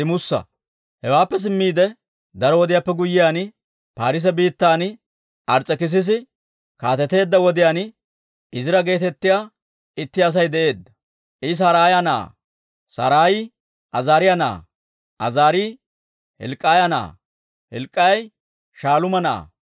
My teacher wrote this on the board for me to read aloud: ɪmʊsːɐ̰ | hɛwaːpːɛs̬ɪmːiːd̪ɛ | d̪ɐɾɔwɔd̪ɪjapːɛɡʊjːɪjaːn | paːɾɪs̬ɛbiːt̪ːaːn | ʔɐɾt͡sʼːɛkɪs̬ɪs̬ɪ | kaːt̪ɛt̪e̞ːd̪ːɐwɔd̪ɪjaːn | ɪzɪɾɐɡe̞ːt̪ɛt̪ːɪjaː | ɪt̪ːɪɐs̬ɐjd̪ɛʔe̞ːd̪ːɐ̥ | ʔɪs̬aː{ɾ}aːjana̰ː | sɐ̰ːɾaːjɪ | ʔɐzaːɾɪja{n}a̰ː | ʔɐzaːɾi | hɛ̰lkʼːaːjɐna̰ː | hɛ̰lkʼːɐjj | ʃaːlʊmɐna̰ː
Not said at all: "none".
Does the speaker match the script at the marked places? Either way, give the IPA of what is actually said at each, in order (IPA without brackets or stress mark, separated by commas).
ɾ, n